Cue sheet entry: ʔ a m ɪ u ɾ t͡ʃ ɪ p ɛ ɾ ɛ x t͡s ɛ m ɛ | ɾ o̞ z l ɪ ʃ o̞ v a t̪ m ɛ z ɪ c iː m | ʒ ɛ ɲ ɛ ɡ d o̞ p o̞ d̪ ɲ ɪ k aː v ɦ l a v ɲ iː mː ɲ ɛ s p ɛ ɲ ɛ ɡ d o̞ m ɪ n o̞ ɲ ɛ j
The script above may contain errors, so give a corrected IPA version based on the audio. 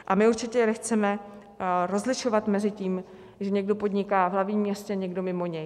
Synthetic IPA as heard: ʔ a m ɪ u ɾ t͡ʃ ɪ c ɛ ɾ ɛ x t͡s ɛ m ɛ | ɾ o̞ z l ɪ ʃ o̞ v a t̪ m ɛ z ɪ c iː m | ʒ ɛ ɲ ɛ ɡ d o̞ p o̞ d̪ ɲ ɪ k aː v ɦ l a v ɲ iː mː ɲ ɛ s c ɛ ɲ ɛ ɡ d o̞ m ɪ m o̞ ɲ ɛ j

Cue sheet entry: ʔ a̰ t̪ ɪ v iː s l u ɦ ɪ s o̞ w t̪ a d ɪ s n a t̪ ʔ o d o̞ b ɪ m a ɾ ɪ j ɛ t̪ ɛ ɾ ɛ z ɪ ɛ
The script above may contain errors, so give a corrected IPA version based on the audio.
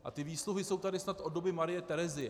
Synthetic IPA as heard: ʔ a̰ t̪ ɪ v iː s l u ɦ ɪ s o̞ w t̪ a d ɪ s n a t̪ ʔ o d o̞ b ɪ m a ɾ ɪ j ɛ t̪ ɛ ɾ ɛ z ɪ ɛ

